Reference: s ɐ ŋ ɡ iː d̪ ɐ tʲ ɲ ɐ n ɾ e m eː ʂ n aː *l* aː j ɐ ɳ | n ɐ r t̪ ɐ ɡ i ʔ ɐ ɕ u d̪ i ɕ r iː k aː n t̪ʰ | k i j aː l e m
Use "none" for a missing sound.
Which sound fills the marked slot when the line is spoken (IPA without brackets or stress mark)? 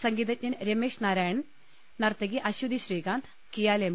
ɾ